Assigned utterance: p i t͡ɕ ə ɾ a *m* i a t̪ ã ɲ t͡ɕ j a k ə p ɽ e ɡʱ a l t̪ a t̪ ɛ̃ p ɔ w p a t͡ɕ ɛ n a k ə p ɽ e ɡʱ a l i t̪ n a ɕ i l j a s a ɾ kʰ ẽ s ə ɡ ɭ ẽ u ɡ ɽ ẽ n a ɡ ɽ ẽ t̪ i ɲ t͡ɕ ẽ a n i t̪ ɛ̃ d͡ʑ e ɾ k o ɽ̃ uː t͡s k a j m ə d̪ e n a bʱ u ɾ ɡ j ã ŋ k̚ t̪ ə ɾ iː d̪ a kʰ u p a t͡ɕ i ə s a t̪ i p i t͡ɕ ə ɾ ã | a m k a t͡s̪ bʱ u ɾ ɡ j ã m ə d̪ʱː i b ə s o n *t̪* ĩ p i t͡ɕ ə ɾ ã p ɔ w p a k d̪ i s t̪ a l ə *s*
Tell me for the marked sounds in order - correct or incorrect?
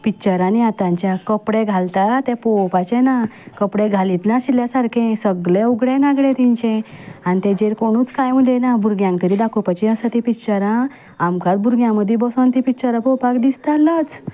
incorrect: n, correct, incorrect: t͡s

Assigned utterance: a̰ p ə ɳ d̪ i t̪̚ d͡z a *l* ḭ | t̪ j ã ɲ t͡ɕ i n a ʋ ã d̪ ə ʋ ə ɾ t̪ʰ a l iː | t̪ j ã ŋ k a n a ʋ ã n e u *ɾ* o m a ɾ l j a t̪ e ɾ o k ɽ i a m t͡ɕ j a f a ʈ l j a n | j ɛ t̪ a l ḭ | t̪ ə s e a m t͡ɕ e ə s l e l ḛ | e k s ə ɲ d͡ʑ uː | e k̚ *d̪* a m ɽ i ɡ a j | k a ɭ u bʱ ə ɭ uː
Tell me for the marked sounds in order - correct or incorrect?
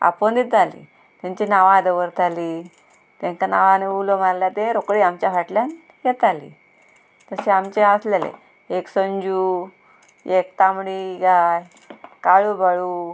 correct, incorrect: l, incorrect: t̪

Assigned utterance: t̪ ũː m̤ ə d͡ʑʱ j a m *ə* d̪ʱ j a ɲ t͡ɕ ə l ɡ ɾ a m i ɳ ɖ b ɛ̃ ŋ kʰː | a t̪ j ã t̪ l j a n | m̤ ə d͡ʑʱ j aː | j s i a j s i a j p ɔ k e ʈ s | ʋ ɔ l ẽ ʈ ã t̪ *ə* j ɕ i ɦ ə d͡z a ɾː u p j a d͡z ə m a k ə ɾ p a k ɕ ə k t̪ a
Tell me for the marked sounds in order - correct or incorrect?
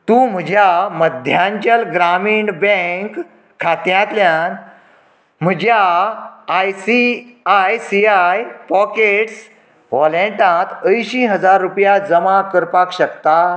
correct, correct

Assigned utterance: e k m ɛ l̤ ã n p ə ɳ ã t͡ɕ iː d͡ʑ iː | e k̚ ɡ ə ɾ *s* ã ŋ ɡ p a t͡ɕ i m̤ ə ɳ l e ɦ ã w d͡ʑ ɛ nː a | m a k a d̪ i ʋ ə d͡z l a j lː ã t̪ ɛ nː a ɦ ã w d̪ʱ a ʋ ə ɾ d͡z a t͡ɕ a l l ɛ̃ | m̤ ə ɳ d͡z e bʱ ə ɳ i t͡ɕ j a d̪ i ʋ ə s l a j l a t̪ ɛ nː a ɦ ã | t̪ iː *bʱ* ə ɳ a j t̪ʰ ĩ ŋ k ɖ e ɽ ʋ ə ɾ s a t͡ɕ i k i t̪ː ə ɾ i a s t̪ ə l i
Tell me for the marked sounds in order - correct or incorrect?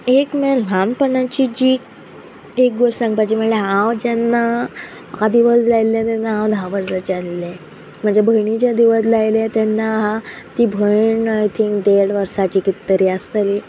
correct, correct

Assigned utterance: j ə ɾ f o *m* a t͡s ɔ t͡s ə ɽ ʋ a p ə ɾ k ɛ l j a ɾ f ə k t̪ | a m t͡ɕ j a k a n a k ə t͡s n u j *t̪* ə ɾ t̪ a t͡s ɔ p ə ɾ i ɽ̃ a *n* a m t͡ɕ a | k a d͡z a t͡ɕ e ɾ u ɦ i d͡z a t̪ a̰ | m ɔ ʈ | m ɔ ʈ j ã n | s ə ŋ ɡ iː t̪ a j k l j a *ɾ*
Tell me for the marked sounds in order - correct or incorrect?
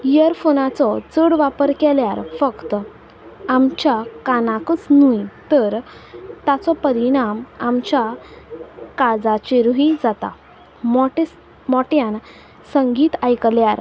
incorrect: n, correct, incorrect: m, correct

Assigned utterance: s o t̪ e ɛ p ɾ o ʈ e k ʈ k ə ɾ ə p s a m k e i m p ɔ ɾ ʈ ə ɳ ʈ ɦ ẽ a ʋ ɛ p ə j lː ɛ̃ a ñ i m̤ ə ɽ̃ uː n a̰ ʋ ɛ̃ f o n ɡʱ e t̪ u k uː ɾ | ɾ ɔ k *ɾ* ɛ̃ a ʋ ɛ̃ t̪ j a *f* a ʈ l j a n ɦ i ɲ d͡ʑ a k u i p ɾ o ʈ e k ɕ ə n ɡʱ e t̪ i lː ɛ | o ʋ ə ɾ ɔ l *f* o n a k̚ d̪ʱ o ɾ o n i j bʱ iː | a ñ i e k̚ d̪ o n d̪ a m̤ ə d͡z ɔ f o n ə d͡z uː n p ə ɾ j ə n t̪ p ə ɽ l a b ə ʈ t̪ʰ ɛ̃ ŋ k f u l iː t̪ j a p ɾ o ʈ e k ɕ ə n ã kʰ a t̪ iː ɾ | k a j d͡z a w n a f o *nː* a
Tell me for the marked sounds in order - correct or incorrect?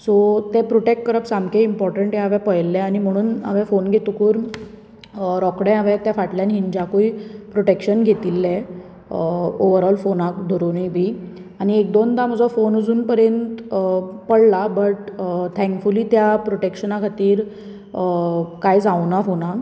incorrect: ɽ, correct, correct, incorrect: n

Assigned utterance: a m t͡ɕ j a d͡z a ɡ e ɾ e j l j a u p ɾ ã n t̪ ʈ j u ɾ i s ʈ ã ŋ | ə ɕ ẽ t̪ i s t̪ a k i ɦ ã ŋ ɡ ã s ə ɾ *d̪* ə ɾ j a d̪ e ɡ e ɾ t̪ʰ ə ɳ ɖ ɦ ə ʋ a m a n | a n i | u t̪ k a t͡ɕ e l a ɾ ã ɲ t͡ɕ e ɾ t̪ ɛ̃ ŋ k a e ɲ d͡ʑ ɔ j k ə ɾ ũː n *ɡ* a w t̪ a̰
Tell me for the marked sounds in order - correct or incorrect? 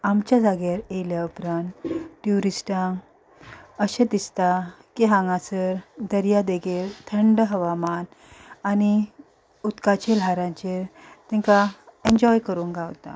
correct, correct

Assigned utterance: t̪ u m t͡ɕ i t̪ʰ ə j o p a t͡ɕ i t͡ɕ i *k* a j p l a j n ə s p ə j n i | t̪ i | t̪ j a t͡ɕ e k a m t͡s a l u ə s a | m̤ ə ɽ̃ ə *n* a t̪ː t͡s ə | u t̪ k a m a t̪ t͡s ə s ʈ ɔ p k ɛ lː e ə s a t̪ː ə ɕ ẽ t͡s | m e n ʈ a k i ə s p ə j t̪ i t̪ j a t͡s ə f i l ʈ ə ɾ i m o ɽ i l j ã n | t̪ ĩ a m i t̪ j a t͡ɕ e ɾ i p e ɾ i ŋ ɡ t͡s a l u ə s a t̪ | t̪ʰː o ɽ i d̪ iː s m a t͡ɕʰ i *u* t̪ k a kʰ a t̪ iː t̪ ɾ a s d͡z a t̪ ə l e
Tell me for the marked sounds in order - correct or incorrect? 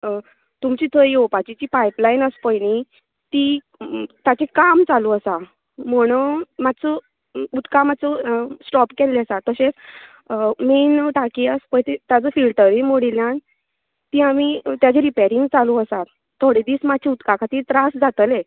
incorrect: p, incorrect: m, correct

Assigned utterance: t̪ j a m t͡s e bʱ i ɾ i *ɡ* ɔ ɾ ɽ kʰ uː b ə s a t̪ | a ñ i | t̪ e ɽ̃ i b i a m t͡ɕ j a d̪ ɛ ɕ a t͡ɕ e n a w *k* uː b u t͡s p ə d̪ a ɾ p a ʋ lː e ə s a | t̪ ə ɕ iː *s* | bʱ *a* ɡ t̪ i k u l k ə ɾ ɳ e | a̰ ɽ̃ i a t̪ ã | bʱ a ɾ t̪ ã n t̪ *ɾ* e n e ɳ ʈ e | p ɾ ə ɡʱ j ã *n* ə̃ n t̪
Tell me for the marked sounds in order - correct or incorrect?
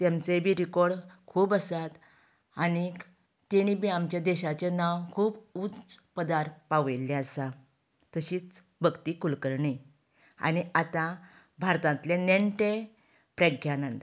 incorrect: k, incorrect: kʰ, incorrect: t͡s, incorrect: ə, incorrect: l, correct

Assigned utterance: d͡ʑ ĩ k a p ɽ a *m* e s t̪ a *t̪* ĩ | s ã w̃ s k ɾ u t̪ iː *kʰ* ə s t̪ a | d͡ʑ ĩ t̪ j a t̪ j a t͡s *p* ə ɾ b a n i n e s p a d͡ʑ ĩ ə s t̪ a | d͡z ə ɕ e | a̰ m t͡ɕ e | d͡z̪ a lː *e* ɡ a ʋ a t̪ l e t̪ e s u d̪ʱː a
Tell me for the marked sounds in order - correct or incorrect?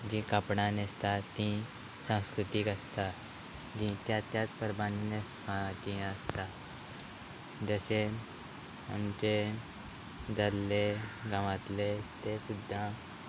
incorrect: n, correct, incorrect: k, correct, correct

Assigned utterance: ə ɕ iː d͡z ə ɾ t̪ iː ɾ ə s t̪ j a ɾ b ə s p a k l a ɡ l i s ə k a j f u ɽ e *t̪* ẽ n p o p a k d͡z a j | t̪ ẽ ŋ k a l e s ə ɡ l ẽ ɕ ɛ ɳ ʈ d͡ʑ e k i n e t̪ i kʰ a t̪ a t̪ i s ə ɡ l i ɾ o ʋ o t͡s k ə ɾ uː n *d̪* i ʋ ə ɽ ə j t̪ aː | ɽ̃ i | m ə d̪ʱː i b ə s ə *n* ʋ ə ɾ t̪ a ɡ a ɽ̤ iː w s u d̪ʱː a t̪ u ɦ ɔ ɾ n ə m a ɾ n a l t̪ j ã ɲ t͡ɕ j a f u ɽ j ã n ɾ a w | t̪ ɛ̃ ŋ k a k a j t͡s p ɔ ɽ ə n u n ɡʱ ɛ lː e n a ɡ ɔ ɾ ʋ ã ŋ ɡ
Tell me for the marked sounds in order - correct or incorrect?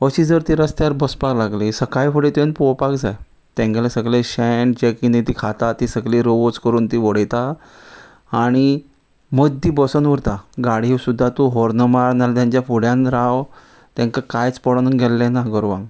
correct, incorrect: t̪, correct

